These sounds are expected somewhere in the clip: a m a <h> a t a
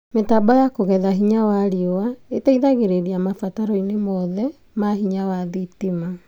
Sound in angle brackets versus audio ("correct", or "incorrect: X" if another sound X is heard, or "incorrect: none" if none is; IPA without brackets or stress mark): incorrect: f